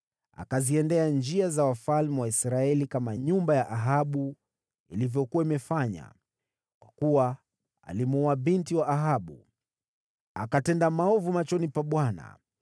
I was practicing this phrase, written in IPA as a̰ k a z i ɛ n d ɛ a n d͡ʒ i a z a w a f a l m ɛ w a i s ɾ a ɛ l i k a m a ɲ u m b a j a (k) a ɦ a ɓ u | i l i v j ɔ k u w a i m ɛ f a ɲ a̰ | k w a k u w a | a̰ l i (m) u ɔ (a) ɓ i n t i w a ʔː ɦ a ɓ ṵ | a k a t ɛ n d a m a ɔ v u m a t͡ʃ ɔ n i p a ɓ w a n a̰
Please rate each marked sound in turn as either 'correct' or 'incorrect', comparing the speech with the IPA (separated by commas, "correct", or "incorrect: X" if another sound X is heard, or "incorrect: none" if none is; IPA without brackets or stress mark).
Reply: incorrect: ʔ, correct, correct